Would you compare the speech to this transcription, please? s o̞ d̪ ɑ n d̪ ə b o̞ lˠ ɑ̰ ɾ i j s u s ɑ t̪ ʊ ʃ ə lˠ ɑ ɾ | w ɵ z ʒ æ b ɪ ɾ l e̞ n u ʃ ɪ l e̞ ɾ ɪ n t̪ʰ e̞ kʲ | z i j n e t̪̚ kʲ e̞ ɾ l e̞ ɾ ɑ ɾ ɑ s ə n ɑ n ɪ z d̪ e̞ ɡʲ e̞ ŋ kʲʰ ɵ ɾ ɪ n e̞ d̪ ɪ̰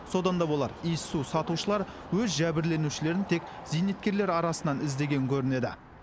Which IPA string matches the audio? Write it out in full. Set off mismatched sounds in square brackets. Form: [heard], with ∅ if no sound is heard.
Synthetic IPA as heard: s o̞ d̪ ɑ n d̪ [ɑ] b o̞ lˠ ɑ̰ ɾ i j s u s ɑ t̪ [u] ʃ ə lˠ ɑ ɾ | w ɵ z ʒ æ b ɪ ɾ l e̞ n u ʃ ɪ l e̞ ɾ ɪ n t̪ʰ e̞ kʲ | z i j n e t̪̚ kʲ e̞ ɾ l e̞ ɾ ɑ ɾ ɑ s ə n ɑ n ɪ z d̪ e̞ ɡʲ e̞ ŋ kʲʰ ɵ ɾ ɪ n e̞ d̪ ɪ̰